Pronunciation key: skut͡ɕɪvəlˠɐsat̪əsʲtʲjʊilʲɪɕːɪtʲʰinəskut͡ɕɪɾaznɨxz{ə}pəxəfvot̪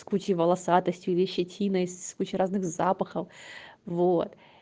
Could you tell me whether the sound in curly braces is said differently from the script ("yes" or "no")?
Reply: yes